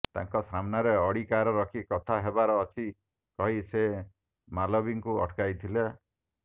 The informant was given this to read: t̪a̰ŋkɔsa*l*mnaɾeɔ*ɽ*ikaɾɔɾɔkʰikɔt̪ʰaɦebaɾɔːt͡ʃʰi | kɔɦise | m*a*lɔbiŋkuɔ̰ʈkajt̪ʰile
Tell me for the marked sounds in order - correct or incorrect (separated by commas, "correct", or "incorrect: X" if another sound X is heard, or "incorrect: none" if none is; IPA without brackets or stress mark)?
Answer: incorrect: none, correct, correct